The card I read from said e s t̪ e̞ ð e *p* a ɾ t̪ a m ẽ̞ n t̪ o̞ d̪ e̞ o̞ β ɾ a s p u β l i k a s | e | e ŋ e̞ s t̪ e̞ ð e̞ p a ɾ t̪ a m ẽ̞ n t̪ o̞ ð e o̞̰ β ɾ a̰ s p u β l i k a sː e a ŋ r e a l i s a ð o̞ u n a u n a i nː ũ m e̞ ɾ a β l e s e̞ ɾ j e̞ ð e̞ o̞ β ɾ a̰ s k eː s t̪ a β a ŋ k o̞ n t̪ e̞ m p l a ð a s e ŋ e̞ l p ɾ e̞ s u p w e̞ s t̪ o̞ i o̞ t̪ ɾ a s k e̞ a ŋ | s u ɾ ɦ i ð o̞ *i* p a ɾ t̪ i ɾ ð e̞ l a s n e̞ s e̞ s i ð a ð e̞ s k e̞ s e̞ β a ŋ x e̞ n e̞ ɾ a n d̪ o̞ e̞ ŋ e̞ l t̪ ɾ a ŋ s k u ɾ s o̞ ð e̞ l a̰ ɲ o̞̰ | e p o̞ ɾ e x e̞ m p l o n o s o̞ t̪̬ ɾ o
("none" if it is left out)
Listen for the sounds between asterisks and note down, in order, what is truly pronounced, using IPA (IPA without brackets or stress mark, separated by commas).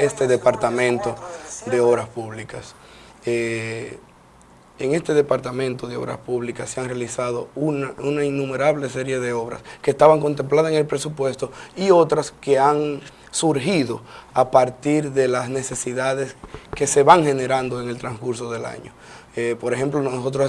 p, a